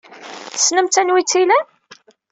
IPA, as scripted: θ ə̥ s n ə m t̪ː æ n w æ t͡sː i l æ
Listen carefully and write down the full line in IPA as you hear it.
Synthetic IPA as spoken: θ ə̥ s n ə m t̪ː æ n w i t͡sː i l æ